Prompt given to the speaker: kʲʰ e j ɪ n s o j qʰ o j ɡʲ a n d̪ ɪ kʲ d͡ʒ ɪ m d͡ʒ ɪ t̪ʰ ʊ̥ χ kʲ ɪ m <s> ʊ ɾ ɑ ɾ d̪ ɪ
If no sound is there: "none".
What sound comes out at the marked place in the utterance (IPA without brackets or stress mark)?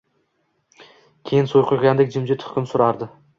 s